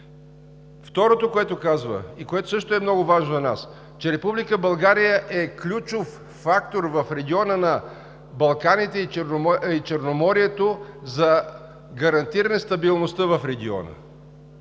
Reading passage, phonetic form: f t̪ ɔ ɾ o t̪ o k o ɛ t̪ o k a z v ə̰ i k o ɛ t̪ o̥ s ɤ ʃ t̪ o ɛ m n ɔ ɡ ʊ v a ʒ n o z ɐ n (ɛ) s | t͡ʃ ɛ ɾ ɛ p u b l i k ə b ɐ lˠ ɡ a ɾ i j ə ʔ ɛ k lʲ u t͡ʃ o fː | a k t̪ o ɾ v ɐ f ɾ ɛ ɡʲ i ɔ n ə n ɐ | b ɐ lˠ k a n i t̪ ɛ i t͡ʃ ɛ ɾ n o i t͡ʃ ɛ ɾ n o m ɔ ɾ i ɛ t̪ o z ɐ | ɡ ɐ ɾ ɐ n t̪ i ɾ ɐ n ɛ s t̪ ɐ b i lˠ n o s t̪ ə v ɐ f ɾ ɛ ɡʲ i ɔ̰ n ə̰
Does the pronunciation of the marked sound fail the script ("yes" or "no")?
yes